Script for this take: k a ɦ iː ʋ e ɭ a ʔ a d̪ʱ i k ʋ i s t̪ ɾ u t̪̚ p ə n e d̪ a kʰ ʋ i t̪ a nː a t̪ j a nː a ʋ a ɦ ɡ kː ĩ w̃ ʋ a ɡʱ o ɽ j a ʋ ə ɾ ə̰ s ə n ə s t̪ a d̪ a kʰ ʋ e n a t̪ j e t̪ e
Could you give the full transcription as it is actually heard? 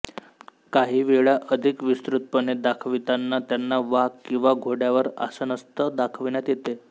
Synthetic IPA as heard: k a ɦ iː ʋ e ɭ a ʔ ə d̪ʱ i k ʋ i s t̪ ɾ u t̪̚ p ə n e d̪ a kʰ ʋ i t̪ a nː a t̪ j a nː a ʋ a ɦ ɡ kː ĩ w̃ ʋ a ɡʱ o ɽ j a ʋ ə ɾ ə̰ s ə n ə s t̪ ə d̪ a kʰ ʋ i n a t̪ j e t̪ e